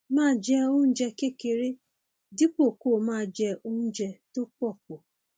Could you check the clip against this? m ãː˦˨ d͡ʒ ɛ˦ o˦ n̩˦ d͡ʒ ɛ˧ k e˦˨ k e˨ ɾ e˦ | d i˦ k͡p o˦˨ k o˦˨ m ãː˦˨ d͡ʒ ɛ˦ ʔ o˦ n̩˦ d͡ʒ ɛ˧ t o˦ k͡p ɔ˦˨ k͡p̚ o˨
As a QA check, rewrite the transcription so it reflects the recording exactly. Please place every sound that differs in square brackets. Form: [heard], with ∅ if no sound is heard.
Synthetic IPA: m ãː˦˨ d͡ʒ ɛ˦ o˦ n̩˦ d͡ʒ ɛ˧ k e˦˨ k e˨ ɾ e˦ | d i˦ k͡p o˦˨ k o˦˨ m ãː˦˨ d͡ʒ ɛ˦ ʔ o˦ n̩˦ d͡ʒ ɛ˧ t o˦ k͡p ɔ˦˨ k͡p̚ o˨